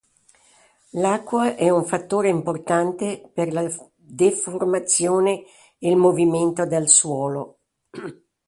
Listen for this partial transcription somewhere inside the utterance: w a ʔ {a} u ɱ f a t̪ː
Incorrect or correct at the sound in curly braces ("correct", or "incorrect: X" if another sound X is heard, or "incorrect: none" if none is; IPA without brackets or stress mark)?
incorrect: ɛ